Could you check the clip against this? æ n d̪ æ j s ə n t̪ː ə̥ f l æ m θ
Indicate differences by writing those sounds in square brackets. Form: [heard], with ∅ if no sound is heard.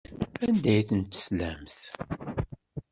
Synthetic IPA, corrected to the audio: æ n d̪ æ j [θ] ə n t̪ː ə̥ [s] l æ m θ